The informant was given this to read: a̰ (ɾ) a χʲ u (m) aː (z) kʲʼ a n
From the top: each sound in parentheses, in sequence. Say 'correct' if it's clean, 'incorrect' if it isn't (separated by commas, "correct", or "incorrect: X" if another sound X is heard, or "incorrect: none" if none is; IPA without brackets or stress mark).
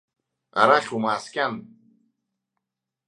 correct, correct, incorrect: s